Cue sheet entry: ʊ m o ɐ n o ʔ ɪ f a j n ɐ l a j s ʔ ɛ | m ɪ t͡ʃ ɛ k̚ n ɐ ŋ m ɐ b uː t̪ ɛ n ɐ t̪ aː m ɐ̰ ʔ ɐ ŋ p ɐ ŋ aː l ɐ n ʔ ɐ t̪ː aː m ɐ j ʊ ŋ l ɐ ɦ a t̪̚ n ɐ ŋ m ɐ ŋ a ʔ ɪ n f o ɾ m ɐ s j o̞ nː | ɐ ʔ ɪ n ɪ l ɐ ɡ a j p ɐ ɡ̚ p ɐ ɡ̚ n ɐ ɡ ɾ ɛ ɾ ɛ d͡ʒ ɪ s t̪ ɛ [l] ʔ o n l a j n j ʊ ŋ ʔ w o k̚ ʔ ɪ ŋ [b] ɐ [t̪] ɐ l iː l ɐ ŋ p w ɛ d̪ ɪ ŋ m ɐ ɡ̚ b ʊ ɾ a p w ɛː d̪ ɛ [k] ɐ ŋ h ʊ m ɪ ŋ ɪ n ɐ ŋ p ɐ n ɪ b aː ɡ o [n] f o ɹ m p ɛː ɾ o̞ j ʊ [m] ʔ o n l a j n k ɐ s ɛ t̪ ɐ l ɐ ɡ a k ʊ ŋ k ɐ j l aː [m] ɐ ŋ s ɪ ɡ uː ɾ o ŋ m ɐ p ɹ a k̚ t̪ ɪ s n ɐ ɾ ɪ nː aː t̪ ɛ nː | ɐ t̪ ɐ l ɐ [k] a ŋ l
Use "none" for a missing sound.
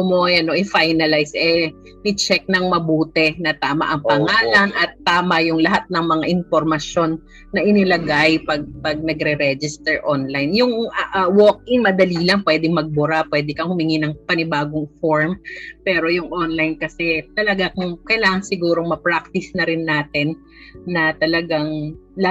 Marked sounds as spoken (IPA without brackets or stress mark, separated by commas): ɹ, m, d̪, k, ŋ, ŋ, ŋ, ɡ